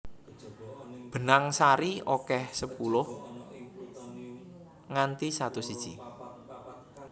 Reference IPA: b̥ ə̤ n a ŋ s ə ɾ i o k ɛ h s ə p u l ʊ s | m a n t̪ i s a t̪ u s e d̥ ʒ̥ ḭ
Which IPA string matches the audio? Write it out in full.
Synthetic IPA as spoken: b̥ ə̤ n a ŋ s a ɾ i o k ɛ h s ə p u l ʊ h | ŋ a n t̪ i s a t̪ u s i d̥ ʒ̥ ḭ